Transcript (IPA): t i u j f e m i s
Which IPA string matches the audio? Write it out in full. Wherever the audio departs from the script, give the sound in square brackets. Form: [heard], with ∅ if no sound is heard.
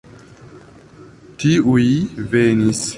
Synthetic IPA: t i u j [v] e [n] i s